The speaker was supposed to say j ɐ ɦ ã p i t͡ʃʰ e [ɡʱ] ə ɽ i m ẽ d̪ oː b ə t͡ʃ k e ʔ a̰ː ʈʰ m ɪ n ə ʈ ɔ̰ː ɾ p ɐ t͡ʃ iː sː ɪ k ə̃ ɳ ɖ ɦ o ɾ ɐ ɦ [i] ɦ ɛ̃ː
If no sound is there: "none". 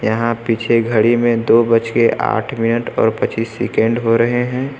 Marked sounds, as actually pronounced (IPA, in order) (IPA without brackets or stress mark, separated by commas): ɡʱ, e